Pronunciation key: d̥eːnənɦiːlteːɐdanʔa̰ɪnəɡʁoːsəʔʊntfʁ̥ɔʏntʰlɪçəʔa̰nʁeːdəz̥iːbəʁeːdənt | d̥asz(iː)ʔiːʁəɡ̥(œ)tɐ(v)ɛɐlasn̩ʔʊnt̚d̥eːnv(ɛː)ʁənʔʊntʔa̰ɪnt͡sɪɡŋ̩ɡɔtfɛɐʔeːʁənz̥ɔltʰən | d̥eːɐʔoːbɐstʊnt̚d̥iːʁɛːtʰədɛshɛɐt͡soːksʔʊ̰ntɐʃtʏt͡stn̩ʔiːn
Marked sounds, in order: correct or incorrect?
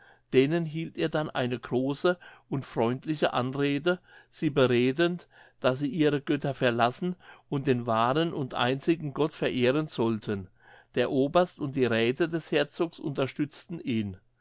correct, correct, incorrect: f, incorrect: aː

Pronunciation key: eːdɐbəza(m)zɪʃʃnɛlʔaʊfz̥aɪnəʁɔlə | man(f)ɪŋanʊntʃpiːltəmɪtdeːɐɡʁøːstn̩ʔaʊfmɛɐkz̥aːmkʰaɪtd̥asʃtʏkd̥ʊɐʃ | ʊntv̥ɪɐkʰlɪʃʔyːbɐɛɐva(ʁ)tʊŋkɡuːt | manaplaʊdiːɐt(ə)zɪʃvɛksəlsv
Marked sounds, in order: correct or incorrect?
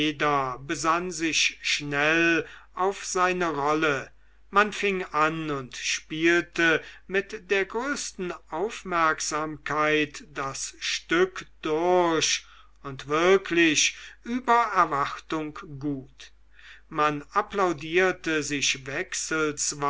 incorrect: n, correct, incorrect: χ, correct

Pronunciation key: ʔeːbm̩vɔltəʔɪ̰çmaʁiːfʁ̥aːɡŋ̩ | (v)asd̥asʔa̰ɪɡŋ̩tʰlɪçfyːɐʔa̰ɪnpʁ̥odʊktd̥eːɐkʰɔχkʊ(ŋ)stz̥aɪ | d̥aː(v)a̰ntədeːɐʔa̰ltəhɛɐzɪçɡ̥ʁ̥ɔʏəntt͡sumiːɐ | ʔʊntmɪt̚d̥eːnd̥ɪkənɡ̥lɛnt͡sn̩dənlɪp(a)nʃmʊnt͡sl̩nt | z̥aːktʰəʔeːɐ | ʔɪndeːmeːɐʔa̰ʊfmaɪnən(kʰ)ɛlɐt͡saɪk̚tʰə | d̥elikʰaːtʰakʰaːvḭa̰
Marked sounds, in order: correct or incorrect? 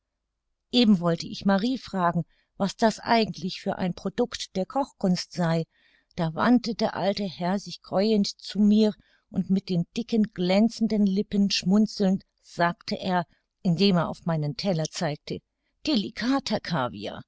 correct, incorrect: n, correct, incorrect: ə, incorrect: tʰ

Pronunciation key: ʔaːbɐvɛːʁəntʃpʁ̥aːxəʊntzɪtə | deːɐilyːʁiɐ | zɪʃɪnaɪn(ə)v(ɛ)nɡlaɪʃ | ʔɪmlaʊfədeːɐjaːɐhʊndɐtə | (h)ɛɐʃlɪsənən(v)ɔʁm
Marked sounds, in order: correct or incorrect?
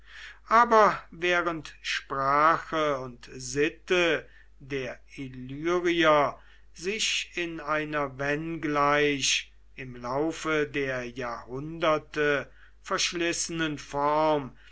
incorrect: ɐ, correct, incorrect: f, incorrect: f

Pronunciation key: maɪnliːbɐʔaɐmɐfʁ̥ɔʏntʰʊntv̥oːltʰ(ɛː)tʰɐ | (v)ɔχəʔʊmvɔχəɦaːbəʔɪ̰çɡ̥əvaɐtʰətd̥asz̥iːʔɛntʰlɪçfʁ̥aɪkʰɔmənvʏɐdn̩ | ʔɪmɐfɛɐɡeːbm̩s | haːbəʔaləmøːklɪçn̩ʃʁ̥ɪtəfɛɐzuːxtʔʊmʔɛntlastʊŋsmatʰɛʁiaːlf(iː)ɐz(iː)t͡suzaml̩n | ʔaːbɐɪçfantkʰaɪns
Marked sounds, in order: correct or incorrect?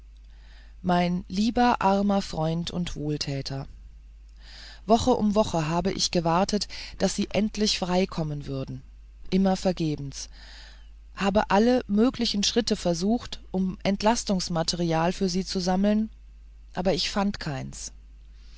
correct, correct, incorrect: yː, correct

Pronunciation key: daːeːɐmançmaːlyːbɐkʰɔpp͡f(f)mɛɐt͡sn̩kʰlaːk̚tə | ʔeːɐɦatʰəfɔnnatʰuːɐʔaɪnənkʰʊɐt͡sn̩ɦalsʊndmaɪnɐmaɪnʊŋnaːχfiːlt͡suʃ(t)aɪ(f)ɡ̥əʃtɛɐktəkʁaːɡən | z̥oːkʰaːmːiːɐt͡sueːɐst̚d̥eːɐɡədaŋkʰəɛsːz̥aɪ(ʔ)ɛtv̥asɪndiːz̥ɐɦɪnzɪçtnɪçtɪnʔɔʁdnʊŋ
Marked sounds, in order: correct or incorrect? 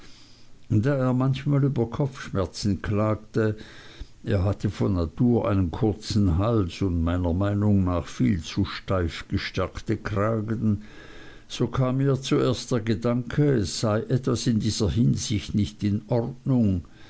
incorrect: ʃ, correct, correct, correct

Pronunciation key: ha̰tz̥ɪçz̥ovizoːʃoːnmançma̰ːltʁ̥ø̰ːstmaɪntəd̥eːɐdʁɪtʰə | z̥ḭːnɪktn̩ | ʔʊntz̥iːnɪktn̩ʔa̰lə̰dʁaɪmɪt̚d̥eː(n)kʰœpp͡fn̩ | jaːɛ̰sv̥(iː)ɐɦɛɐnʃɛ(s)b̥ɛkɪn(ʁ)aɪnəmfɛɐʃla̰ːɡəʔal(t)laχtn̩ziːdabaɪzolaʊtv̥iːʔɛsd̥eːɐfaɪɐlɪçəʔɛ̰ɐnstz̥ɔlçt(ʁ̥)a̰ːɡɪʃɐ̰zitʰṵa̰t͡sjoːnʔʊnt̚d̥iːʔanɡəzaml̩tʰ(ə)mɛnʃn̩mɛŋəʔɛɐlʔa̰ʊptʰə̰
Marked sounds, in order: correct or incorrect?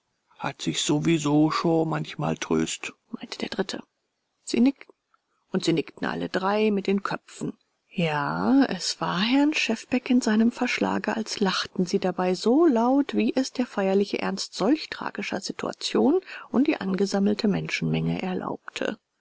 correct, incorrect: aː, incorrect: f, incorrect: z, incorrect: s, correct, correct

